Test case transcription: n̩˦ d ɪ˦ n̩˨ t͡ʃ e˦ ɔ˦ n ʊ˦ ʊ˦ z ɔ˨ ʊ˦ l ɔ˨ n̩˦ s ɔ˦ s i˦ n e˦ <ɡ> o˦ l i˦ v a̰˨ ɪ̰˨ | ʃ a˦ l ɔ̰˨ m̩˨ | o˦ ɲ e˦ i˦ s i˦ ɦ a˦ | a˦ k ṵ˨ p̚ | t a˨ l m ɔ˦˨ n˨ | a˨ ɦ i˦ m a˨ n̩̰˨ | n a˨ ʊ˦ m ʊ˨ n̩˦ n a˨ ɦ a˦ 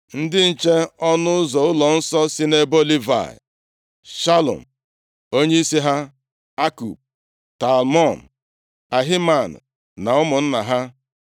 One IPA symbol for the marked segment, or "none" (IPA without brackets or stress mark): b